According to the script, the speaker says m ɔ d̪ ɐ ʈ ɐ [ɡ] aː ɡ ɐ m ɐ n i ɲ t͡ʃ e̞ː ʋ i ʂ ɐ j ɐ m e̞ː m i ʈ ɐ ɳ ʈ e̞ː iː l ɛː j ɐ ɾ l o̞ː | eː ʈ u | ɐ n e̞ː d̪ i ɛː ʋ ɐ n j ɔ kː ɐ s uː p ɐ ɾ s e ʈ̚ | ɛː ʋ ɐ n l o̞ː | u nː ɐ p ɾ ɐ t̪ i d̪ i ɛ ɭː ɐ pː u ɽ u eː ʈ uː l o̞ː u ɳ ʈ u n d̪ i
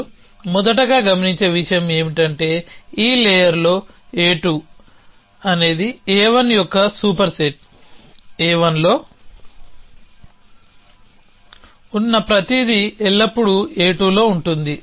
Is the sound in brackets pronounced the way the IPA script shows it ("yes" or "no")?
yes